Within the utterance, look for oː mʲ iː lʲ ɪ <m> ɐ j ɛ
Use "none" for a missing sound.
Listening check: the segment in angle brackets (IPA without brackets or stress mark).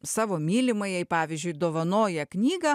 m